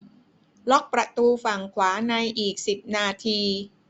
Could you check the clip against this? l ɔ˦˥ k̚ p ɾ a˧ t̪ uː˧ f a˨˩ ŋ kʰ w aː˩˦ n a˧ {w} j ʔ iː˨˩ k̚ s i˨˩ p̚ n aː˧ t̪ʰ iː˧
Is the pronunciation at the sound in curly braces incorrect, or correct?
incorrect